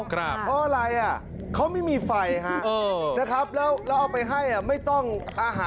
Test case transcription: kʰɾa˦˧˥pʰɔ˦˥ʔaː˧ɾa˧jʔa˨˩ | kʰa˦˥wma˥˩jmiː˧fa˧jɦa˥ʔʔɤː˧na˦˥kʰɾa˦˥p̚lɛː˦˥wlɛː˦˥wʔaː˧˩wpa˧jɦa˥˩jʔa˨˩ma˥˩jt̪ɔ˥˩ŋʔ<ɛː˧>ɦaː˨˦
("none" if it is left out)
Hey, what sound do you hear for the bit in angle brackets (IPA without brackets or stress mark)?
aː˧